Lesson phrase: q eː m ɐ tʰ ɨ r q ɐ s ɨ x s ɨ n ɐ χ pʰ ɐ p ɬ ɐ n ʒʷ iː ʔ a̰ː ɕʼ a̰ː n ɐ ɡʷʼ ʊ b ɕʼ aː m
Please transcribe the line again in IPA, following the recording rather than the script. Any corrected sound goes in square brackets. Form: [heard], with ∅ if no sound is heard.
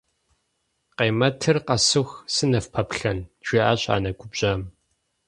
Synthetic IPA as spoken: q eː m ɐ tʰ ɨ r q ɐ s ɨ x s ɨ n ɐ [f] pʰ ɐ p ɬ ɐ n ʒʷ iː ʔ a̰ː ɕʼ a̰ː n ɐ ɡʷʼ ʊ b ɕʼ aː m